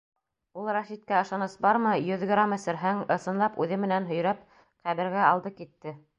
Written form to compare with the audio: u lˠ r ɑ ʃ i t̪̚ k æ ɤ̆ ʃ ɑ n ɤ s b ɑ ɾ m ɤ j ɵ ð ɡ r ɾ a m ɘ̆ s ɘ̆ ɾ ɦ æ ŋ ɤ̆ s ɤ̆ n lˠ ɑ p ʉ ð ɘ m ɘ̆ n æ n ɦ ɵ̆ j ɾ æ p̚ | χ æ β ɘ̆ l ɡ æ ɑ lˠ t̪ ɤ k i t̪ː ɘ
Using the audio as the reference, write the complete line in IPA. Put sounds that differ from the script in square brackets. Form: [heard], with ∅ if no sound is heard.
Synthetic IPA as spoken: u lˠ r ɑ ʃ i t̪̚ k æ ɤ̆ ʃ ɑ n ɤ s b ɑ ɾ m ɤ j ɵ ð ɡ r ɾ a m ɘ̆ s ɘ̆ ɾ ɦ æ ŋ ɤ̆ s ɤ̆ n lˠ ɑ p ʉ ð ɘ m ɘ̆ n æ n ɦ ɵ̆ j ɾ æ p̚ | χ æ β ɘ̆ [ɾ] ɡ æ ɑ lˠ [d̪] ɤ k i t̪ː ɘ